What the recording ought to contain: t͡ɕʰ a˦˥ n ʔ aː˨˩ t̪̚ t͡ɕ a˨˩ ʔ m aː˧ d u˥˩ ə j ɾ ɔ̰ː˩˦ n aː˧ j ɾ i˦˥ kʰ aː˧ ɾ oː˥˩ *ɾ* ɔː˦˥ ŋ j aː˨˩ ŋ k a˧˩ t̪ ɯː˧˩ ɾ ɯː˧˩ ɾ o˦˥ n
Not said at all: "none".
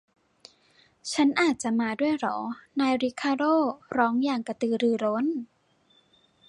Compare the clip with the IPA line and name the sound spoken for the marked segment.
ɾ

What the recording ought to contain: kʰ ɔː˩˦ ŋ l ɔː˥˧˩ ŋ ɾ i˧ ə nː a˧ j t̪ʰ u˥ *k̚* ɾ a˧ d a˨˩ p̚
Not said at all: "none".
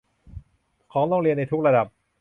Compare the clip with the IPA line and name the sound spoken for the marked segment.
k̚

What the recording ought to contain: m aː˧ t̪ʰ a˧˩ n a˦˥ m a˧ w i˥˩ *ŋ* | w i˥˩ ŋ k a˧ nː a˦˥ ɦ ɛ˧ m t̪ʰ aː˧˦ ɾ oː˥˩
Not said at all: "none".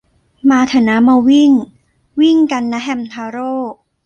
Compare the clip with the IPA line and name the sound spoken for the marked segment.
ŋ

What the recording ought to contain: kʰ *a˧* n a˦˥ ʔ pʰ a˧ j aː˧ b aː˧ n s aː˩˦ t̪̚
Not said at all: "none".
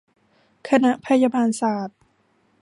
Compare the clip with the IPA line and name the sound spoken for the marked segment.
a˧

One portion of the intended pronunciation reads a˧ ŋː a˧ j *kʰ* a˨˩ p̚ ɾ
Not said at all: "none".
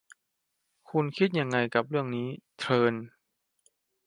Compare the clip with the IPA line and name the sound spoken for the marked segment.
k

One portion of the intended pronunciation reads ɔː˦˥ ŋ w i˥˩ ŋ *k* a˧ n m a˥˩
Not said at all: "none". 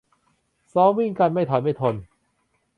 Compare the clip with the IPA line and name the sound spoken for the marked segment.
k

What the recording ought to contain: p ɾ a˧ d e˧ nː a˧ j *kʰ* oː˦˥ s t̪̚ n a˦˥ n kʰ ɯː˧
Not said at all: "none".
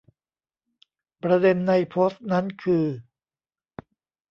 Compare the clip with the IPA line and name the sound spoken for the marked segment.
pʰ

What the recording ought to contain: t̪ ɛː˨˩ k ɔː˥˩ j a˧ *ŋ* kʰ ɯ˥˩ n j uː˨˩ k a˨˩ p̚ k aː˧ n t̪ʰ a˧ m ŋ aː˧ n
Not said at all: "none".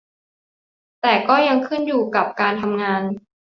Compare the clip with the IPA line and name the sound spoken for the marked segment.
ŋ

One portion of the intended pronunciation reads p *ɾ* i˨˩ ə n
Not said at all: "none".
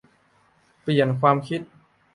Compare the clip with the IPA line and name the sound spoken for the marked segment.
l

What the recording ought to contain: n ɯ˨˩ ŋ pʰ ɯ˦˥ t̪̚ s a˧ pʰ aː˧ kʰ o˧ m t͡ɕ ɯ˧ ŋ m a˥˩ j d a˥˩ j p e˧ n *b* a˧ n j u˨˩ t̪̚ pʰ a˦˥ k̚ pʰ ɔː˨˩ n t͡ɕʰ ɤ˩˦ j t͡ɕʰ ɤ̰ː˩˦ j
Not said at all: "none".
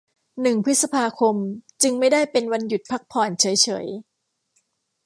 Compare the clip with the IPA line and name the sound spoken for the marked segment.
w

